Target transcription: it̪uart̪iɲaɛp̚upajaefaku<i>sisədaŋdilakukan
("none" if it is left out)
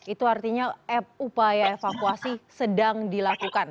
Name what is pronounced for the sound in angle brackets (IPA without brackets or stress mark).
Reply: a